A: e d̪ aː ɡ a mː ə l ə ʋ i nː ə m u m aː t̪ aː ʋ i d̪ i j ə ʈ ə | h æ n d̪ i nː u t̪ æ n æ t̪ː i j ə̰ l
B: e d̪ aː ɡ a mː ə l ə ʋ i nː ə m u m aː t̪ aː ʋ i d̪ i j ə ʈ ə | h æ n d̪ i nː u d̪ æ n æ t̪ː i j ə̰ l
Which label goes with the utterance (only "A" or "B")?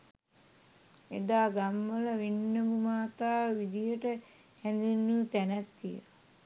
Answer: A